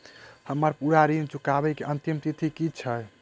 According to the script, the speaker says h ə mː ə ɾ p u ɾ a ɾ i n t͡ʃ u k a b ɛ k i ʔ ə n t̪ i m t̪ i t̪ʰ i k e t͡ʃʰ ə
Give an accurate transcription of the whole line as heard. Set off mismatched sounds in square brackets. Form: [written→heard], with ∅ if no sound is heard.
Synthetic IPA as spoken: h ə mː ə ɾ p u ɾ a ɾ i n t͡ʃ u k a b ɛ k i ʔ ə n t̪ i m t̪ i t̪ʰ i k [e→i] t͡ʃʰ ə